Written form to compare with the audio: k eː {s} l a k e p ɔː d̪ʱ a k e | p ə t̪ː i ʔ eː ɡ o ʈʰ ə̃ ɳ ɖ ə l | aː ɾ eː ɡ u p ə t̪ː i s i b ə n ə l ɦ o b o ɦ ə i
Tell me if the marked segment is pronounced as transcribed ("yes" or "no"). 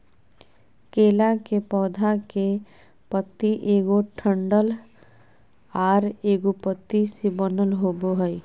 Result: no